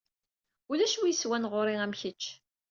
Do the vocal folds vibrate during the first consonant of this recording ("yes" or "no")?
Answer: yes